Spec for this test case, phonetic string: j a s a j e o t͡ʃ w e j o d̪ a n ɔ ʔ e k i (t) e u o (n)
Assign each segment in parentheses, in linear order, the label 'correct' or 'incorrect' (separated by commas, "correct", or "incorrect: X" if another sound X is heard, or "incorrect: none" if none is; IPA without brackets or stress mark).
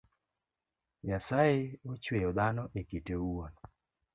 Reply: correct, correct